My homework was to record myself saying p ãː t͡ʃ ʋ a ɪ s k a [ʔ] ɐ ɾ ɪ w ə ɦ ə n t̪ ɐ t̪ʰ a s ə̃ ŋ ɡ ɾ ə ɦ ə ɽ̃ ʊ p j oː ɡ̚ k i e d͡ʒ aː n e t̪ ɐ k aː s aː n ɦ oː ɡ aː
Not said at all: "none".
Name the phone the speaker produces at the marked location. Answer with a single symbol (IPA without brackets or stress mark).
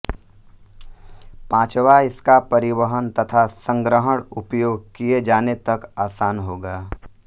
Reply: p